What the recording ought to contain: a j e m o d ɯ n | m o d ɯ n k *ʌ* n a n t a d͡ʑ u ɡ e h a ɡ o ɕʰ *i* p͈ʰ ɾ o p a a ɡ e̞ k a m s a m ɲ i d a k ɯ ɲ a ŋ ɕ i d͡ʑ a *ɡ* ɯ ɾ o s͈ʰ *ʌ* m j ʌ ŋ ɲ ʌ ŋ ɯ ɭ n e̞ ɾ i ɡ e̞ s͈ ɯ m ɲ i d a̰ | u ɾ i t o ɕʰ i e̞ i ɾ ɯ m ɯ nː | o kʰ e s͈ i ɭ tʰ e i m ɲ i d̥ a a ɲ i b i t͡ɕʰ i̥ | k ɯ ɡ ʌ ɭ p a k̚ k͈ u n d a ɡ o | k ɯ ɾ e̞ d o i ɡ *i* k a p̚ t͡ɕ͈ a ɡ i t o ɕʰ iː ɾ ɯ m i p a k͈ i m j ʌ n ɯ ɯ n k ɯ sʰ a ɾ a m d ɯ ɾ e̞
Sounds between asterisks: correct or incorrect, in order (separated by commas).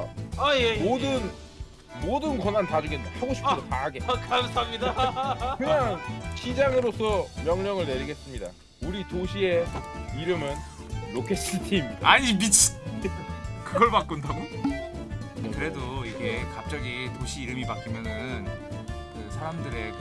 correct, correct, incorrect, correct, incorrect